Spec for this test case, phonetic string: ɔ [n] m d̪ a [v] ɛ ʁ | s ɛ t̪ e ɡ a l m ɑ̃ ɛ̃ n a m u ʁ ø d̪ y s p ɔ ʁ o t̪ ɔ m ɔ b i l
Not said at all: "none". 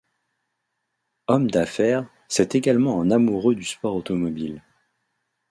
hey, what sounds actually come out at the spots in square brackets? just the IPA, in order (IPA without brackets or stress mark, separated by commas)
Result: none, f